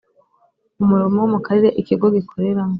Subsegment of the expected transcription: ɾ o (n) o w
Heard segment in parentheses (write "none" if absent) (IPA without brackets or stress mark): m